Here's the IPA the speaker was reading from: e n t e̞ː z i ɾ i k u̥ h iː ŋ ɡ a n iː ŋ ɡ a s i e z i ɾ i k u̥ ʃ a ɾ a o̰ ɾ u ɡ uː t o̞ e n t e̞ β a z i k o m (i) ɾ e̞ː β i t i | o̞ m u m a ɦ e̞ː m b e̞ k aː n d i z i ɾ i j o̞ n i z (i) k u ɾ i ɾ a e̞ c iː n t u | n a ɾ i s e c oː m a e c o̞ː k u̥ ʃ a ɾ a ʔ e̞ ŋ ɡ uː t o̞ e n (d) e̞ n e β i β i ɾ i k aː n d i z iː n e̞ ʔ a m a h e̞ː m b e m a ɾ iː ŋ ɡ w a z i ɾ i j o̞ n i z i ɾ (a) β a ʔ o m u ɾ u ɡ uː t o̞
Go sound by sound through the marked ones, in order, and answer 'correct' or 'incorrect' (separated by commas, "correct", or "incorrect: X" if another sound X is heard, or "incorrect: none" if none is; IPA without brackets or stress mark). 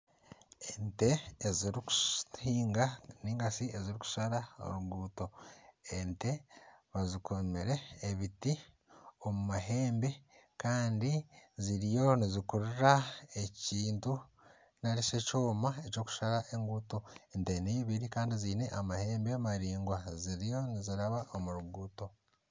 incorrect: e, correct, incorrect: t, correct